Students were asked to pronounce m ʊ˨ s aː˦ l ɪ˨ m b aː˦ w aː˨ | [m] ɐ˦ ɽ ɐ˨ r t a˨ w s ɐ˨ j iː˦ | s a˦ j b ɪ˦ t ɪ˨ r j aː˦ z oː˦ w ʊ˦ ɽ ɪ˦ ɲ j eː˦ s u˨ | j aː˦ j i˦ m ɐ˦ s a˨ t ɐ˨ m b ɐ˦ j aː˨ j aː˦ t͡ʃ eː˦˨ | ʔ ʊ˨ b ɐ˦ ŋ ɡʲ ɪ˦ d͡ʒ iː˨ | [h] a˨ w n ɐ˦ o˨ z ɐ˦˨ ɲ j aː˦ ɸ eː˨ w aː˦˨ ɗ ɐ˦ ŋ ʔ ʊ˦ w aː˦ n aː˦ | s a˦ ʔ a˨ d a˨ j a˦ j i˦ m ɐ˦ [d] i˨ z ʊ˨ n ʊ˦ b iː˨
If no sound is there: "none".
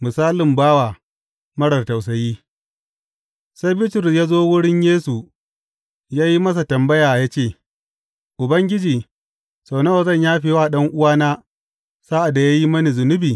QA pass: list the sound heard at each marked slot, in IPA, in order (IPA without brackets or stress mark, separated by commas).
m, s, n